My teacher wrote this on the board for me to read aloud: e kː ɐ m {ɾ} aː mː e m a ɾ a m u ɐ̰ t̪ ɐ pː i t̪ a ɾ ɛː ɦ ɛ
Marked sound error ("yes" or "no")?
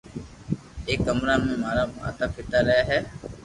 no